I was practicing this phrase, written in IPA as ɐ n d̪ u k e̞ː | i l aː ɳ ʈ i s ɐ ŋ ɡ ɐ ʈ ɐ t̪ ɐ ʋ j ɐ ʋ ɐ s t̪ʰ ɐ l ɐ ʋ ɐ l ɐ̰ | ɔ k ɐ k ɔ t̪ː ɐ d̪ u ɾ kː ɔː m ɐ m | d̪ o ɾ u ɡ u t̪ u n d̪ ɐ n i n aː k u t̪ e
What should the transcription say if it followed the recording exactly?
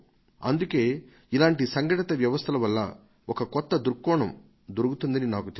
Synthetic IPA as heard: ɐ n d̪ u k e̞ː | i l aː ɳ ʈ i s ɐ ŋ ɡ ɐ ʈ ɐ t̪ ɐ ʋ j ɐ ʋ ɐ s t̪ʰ ɐ l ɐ ʋ ɐ lː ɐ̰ | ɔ k ɐ k ɔ t̪ː ɐ d̪ u ɾ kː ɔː ɳ ɐ m | d̪ o ɾ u ɡ u t̪ u n d̪ ɐ n i n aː k u t̪ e

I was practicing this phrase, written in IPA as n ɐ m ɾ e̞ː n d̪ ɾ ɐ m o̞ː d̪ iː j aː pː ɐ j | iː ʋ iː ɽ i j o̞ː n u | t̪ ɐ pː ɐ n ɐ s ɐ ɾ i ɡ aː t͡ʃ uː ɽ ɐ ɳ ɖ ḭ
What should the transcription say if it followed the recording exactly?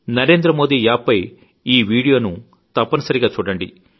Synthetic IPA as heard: n ɐ ɾ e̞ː n d̪ ɾ ɐ m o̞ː d̪ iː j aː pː ɐ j | iː ʋ iː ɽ i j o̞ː n u | t̪ ɐ pː ɐ n ɐ s ɐ ɾ i ɡ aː t͡ʃ uː ɽ ɐ ɳ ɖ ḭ

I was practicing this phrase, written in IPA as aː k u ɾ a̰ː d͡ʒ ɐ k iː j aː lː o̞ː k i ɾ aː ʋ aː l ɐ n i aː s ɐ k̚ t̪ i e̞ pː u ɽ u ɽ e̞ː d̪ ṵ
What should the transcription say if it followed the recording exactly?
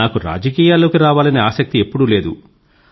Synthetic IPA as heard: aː k u ɾ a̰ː d͡ʒ ɐ k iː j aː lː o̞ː k i ɾ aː ʋ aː l ɐ n i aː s ɐ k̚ t̪ i e̞ pː u ɽ u l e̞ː d̪ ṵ

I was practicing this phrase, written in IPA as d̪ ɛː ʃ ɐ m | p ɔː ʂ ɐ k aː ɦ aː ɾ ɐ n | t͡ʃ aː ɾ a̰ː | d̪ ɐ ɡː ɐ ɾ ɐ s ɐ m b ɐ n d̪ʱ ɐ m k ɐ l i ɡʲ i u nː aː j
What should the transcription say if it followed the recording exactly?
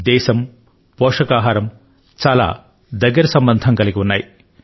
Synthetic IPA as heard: d̪ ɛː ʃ ɐ m | p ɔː ʂ ɐ k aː ɦ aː ɾ ɐ m | t͡ʃ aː l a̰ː | d̪ ɐ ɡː ɐ ɾ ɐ s ɐ m b ɐ n d̪ʱ ɐ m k ɐ l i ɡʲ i u nː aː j

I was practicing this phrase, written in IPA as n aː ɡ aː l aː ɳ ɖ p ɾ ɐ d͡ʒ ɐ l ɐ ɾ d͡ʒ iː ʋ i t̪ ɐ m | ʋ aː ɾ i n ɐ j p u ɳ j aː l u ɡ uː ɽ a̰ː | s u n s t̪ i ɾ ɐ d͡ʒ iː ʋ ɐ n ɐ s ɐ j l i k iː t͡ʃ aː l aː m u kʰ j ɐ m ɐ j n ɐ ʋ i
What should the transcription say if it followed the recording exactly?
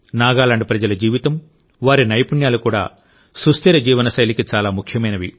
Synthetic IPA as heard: n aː ɡ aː l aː ɳ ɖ p ɾ ɐ d͡ʒ ɐ l ɐ d͡ʒ iː ʋ i t̪ ɐ m | ʋ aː ɾ i n ɐ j p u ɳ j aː l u k uː ɽ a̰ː | s u s t̪ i ɾ ɐ d͡ʒ iː ʋ ɐ n ɐ s ɐ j l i k i t͡ʃ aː l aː m u kʰ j ɐ m ɐ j n ɐ ʋ i

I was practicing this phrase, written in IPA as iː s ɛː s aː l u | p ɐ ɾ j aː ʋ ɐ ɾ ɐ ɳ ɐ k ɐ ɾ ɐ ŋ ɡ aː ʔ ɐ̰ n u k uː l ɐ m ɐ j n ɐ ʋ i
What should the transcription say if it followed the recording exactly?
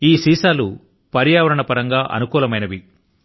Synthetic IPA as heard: iː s iː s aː l u | p ɐ ɾ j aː ʋ ɐ ɾ ɐ ɳ ɐ p ɐ ɾ ɐ ŋ ɡ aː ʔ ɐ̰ n u k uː l ɐ m ɐ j n ɐ ʋ i

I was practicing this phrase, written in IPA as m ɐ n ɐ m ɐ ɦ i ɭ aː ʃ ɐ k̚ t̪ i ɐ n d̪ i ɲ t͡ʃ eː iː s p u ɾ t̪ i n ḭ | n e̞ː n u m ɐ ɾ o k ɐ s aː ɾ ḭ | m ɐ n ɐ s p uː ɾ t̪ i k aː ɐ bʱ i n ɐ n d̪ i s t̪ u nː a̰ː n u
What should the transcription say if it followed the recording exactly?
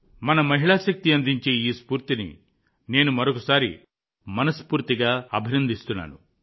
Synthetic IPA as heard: m ɐ n ɐ m ɐ ɦ i ɭ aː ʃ ɐ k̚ t̪ i ɐ n d̪ i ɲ t͡ʃ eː iː s p uː ɾ t̪ i n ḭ | n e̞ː n u m ɐ ɾ o k ɐ s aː ɾ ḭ | m ɐ n ɐ s p uː ɾ t̪ i ɡ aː ɐ bʱ i n ɐ n d̪ i s t̪ u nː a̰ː n u

